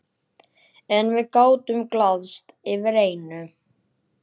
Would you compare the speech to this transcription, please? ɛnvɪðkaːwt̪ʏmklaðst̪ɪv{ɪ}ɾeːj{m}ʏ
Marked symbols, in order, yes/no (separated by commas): yes, no